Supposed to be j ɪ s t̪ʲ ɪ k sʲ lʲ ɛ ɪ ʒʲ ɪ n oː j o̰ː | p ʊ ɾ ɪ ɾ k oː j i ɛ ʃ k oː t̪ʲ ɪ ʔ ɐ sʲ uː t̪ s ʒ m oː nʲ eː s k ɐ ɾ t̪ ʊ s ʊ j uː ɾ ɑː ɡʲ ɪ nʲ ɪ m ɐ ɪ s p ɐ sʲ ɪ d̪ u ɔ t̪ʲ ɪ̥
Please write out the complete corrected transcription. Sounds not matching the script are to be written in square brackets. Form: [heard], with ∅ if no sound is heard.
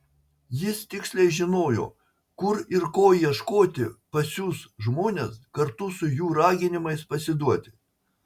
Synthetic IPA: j ɪ s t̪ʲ ɪ k sʲ lʲ ɛ ɪ ʒʲ ɪ n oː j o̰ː | [k] ʊ ɾ ɪ ɾ k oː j i ɛ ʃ k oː t̪ʲ ɪ [p] ɐ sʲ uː [∅] s ʒ m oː nʲ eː s k ɐ ɾ t̪ ʊ s ʊ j uː ɾ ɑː ɡʲ ɪ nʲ ɪ m ɐ ɪ s p ɐ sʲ ɪ d̪ u ɔ t̪ʲ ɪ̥